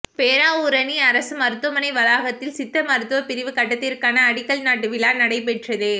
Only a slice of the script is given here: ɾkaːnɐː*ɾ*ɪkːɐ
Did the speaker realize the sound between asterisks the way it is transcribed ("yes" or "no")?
no